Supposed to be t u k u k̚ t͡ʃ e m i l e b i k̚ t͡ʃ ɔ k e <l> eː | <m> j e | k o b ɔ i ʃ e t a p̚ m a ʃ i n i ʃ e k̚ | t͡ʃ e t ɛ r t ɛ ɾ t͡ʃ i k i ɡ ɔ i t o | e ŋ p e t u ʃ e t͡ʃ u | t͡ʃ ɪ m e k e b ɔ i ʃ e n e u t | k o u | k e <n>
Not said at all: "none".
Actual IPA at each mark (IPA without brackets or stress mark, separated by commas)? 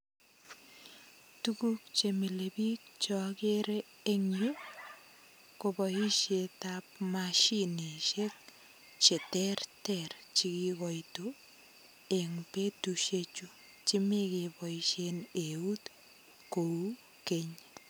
ɾ, ŋ, ɲ